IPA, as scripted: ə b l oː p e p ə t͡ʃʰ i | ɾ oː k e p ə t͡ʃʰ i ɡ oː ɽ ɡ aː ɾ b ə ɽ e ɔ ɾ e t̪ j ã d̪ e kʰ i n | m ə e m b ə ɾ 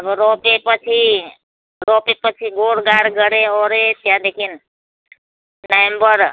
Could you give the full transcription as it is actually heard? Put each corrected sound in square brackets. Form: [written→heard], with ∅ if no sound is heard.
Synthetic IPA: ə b [l→ɾ] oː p e p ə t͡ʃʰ i | ɾ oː [k→p] e p ə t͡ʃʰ i ɡ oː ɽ ɡ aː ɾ [b→ɡ] ə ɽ e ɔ ɾ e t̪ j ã d̪ e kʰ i n | [m→n] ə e m b ə ɾ

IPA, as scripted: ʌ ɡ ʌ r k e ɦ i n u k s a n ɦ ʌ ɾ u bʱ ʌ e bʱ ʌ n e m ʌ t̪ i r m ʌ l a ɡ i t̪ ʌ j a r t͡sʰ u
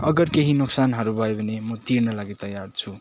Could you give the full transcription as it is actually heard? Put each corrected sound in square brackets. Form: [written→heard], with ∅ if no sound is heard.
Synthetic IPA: ʌ ɡ ʌ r k e ɦ i n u k s a n ɦ ʌ ɾ u bʱ ʌ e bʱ ʌ n e m ʌ t̪ i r [m→n] ʌ l a ɡ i t̪ ʌ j a r t͡sʰ u

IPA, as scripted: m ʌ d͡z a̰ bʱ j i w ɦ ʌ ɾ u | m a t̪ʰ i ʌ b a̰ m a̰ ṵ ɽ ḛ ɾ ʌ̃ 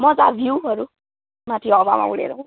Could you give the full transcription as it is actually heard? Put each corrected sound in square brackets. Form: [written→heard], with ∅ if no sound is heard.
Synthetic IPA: m ʌ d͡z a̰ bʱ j i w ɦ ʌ ɾ u | m a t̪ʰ i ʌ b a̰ m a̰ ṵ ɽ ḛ ɾ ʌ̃

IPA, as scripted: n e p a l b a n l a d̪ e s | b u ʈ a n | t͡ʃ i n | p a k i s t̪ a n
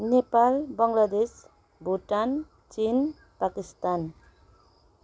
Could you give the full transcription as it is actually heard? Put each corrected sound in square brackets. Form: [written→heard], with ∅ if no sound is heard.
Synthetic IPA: n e p a l b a [n→ŋ] l a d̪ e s | b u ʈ a n | t͡ʃ i n | p a k i s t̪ a n

